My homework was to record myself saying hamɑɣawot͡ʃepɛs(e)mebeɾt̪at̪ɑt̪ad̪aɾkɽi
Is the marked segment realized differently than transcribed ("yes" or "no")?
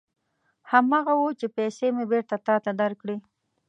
no